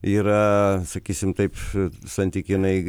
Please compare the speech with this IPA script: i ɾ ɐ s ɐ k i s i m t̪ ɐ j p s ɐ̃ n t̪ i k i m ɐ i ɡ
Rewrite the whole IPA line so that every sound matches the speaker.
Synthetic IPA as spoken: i ɾ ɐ s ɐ k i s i m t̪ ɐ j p s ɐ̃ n t̪ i k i n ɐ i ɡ